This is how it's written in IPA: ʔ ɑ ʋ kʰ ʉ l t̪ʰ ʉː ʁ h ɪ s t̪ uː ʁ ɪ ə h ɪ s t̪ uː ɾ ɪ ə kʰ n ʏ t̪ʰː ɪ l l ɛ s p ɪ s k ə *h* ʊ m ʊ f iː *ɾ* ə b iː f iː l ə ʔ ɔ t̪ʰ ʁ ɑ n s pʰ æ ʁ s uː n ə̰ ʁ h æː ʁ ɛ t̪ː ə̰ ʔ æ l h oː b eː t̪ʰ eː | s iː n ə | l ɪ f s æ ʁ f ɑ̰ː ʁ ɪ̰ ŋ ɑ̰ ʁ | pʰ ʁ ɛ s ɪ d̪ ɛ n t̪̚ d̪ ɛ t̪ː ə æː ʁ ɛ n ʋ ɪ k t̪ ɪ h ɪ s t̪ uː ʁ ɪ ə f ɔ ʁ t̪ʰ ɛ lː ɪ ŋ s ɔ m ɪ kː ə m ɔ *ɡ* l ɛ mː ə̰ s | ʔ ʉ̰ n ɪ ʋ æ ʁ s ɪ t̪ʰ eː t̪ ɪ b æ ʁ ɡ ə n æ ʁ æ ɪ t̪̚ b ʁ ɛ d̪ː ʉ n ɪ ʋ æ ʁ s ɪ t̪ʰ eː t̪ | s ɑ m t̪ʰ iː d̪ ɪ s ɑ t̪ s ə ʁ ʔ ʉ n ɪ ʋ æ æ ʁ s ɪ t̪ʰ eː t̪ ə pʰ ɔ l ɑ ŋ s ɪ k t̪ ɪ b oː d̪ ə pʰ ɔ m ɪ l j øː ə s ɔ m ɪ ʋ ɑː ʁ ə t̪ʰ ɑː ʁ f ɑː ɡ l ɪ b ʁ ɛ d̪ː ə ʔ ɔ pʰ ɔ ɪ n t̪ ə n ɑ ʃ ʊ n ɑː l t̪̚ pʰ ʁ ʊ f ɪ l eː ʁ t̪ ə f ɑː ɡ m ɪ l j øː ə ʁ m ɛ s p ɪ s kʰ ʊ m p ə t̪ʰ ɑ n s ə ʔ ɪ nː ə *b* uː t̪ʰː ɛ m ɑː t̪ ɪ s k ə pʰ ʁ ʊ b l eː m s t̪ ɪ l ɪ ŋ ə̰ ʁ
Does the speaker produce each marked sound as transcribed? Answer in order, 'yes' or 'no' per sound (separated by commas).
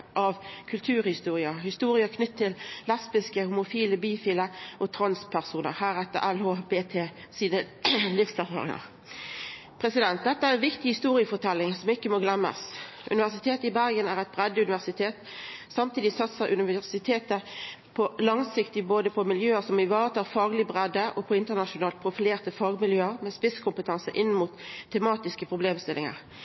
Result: yes, no, yes, no